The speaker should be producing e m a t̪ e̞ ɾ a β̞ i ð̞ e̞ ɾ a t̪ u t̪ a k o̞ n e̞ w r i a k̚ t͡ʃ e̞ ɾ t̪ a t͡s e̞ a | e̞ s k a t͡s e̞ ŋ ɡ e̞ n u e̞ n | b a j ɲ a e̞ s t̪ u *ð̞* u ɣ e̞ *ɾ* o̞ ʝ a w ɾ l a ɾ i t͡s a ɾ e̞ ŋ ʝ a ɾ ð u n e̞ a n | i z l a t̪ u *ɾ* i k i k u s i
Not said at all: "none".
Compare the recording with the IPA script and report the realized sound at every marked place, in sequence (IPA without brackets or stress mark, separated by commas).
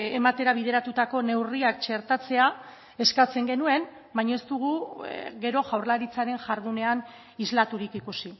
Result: ɣ̞, ɾ, ɾ